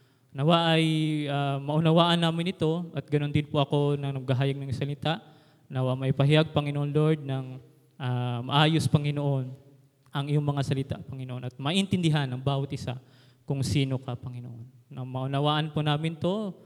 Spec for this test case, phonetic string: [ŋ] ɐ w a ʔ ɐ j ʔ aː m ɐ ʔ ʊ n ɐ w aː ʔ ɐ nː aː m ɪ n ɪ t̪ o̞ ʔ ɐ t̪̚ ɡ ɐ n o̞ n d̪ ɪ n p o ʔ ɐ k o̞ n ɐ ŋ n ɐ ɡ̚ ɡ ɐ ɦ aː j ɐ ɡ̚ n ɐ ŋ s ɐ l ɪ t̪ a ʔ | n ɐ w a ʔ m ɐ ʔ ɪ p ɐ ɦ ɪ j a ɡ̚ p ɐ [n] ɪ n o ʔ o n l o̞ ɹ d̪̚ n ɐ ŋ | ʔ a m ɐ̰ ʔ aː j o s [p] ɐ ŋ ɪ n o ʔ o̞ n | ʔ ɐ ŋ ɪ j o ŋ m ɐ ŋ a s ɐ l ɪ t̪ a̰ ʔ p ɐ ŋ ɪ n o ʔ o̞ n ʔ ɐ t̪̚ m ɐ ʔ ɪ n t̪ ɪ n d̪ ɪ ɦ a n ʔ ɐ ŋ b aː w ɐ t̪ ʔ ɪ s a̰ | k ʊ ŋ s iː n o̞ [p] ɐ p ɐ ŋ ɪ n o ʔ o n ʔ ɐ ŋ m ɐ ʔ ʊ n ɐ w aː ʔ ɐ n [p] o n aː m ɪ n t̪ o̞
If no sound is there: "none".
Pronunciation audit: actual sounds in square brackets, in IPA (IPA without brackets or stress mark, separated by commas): n, ŋ, p, k, p